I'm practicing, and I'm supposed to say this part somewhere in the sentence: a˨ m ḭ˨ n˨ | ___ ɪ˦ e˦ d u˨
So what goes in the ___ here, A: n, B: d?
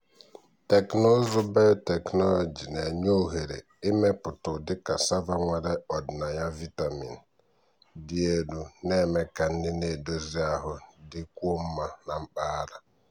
B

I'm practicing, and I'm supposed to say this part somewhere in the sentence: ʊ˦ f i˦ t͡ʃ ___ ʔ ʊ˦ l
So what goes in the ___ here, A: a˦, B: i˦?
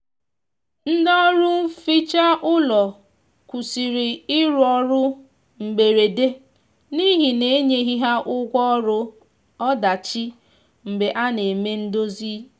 A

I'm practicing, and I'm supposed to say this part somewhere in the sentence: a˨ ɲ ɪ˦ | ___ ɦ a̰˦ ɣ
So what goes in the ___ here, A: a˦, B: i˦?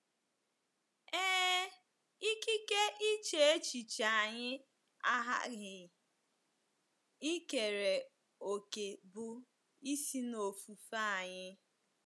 A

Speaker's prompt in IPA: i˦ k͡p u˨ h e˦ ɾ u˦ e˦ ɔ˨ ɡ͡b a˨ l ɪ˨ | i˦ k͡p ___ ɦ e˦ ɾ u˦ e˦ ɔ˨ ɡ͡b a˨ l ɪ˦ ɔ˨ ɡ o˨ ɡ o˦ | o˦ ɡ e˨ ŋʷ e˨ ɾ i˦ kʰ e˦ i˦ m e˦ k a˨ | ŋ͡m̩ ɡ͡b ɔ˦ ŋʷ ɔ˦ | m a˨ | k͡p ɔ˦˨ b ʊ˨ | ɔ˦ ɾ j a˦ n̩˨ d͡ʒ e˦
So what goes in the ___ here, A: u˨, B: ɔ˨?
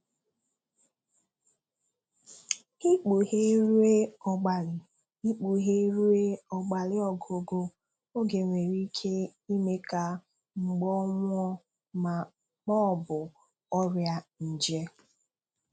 A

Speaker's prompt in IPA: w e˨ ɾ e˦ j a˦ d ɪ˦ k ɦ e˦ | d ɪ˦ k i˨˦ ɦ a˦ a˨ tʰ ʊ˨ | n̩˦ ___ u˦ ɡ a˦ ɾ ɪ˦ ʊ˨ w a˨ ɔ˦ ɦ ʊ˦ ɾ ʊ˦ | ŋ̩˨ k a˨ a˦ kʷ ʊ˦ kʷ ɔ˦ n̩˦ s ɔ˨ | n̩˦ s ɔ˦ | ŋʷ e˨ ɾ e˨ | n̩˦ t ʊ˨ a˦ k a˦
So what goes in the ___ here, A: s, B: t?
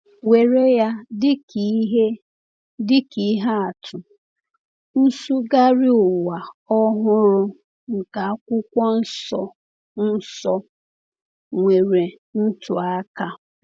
A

